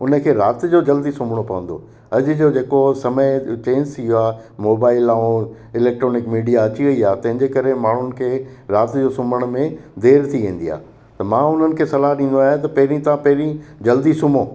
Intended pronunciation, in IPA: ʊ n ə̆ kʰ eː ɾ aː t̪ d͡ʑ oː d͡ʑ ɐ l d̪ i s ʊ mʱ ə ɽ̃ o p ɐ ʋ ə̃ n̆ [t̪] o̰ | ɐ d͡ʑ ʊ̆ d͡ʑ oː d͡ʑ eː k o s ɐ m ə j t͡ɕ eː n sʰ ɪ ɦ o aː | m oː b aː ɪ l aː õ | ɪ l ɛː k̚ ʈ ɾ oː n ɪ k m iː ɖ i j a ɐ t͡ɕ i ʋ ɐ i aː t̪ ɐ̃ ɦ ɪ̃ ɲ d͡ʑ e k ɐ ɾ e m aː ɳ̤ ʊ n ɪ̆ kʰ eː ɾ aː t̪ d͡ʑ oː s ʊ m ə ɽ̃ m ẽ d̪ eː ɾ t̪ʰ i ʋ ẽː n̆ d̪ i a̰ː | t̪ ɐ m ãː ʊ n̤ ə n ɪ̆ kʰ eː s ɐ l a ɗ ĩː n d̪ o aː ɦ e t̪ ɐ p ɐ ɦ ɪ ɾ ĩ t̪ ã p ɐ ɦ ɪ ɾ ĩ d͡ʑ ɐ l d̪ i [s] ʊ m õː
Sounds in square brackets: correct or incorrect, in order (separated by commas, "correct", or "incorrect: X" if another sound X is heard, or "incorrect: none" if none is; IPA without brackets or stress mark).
incorrect: d̪, correct